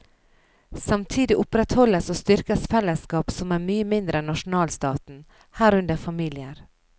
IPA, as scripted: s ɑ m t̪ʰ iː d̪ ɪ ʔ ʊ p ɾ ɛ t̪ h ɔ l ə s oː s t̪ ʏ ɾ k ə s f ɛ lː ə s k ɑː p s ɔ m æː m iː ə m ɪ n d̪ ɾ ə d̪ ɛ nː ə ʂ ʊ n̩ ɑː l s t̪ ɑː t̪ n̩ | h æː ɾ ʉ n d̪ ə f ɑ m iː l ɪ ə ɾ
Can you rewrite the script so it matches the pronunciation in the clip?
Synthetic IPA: s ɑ m t̪ʰ iː d̪ ɪ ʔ ʊ p ɾ ɛ t̪ h ɔ l ə s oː s t̪ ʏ ɾ k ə s f ɛ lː ə s k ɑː p s ɔ m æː m yː ə m ɪ n d̪ ɾ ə ɛ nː ɑ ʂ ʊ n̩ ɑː l s t̪ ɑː t̪ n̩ | h æː ɾ ʉ n d̪ ə f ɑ m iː l ɪ ə ɾ